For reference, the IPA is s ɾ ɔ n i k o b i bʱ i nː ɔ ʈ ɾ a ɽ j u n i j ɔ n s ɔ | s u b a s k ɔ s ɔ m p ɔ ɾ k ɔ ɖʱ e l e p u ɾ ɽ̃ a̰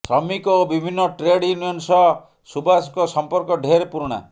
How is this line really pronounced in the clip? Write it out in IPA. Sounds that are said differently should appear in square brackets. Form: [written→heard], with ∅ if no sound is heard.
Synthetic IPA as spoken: s ɾ ɔ [n→m] i k o b i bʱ i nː ɔ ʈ ɾ [a→e] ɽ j u n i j ɔ n s ɔ | s u b a s k ɔ s ɔ m p ɔ ɾ k ɔ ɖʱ e [l→ɾ] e p u ɾ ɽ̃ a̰